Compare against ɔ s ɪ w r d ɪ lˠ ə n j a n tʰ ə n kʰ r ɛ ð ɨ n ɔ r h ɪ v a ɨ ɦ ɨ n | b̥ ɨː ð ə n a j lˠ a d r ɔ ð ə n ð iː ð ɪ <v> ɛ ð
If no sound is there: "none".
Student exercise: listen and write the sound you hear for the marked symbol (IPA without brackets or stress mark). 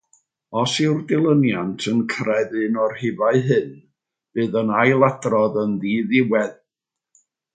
w